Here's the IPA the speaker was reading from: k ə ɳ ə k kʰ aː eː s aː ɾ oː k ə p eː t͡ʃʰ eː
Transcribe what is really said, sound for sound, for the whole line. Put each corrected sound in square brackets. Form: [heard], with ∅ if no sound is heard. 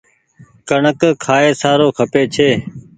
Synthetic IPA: k ə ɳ ə k kʰ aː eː s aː ɾ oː [kʰ] ə p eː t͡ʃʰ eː